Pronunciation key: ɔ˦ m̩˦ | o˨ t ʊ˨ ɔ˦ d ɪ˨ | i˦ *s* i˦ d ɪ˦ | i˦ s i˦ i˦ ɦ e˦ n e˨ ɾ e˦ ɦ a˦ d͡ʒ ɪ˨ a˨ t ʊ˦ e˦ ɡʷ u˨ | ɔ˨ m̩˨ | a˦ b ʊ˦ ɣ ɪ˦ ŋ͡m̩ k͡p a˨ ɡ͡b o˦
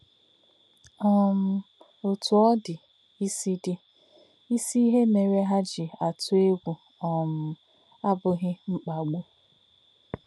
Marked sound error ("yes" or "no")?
no